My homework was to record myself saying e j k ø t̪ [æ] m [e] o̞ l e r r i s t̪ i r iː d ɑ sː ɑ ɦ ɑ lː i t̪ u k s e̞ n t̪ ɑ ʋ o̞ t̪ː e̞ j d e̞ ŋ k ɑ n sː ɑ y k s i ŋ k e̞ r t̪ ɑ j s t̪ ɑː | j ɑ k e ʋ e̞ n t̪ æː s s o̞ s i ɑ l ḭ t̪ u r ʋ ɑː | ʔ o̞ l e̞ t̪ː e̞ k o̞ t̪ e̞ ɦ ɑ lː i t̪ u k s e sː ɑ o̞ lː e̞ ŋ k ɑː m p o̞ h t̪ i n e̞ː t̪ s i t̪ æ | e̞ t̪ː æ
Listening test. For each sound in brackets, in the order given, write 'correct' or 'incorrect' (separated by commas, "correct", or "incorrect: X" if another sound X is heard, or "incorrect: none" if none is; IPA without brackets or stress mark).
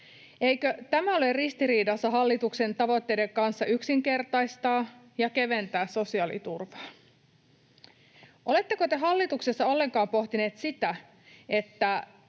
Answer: correct, incorrect: æ